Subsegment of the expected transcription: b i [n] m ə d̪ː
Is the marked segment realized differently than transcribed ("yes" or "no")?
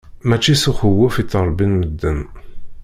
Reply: no